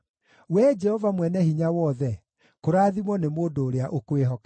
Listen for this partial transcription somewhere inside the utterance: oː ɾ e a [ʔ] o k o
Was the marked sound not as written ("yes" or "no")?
no